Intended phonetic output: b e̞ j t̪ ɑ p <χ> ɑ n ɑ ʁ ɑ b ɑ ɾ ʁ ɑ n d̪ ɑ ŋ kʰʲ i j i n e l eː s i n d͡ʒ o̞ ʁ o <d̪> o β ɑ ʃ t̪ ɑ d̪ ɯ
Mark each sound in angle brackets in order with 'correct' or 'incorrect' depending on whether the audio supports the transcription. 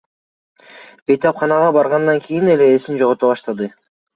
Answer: correct, incorrect: t̪

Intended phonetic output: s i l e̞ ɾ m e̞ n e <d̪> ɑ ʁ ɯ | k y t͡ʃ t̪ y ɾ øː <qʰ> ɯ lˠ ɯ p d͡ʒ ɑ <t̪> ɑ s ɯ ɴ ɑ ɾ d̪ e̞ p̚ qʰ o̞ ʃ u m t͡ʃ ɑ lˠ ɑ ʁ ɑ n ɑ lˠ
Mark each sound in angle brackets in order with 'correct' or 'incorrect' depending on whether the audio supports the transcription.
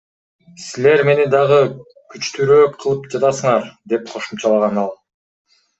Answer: correct, correct, correct

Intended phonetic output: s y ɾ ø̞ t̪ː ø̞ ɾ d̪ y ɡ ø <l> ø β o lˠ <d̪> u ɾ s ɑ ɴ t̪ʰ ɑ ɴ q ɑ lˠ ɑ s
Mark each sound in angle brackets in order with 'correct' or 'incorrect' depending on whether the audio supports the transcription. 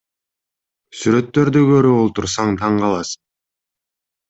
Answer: incorrect: ɾ, incorrect: t̪

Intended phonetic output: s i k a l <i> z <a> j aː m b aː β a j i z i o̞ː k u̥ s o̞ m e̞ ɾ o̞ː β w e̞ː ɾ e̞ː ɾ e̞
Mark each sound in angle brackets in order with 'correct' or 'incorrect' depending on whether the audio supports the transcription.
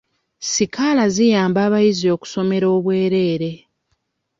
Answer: incorrect: a, incorrect: i

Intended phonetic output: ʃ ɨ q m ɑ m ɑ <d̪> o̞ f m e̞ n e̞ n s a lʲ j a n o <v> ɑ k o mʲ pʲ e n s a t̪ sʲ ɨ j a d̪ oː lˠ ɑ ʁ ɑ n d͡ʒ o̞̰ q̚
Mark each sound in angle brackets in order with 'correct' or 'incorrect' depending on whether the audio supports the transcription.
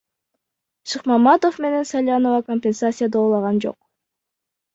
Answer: incorrect: t̪, correct

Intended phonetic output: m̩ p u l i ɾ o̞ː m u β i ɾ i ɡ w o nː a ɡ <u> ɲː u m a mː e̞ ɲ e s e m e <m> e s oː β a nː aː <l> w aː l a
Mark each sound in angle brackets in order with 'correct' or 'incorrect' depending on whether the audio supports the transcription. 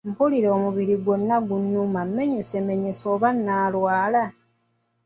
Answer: correct, incorrect: ɲ, correct

